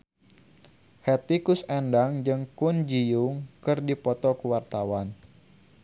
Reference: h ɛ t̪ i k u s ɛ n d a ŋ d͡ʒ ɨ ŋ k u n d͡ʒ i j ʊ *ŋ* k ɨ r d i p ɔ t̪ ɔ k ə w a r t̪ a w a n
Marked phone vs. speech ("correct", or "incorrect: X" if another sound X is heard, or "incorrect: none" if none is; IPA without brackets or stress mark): correct